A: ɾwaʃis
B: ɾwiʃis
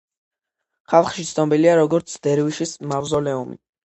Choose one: B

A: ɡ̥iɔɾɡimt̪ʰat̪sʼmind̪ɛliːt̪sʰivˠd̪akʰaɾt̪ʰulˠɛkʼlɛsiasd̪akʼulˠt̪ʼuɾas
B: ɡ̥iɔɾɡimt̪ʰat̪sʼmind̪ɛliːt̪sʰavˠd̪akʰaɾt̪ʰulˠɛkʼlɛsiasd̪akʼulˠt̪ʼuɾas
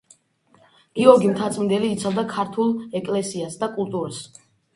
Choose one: B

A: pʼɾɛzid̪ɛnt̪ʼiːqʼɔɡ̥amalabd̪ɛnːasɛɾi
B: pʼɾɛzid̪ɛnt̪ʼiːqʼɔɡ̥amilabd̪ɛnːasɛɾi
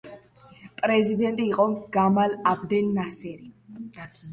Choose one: A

